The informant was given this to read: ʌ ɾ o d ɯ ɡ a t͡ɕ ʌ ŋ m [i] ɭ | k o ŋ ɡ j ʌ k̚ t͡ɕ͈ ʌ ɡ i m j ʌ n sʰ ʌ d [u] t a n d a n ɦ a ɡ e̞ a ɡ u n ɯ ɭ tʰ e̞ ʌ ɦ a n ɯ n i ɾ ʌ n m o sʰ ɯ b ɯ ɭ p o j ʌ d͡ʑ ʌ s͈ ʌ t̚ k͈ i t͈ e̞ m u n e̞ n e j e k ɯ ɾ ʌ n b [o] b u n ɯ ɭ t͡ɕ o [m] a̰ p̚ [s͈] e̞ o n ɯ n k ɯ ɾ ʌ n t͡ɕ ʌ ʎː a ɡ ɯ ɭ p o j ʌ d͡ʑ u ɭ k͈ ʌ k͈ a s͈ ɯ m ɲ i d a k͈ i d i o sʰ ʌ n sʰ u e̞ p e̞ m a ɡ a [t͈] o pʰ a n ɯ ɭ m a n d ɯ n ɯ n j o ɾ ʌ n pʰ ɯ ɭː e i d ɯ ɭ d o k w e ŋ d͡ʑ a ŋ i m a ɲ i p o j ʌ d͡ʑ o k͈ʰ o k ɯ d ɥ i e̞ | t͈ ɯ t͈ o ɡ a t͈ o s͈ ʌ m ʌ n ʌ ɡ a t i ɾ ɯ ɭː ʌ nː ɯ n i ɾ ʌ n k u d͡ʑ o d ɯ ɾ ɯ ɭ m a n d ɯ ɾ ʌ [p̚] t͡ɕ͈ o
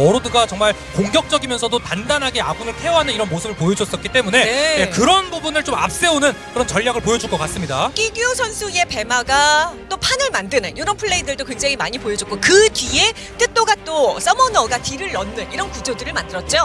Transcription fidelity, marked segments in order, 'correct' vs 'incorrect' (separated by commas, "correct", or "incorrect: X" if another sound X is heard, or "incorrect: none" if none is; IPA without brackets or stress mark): incorrect: a, incorrect: o, incorrect: u, correct, correct, correct, incorrect: t̚